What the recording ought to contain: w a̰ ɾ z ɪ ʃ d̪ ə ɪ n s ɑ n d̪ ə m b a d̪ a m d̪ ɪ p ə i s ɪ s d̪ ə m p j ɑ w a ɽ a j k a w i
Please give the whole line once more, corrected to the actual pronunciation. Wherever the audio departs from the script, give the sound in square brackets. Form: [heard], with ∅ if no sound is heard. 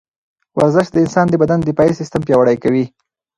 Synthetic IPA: w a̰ ɾ z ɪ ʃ d̪ ə ɪ n s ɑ n d̪ ə [∅] b a d̪ a [n] d̪ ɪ p [ɑ] i s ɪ s [t̪] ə m p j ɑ w a ɽ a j k a w i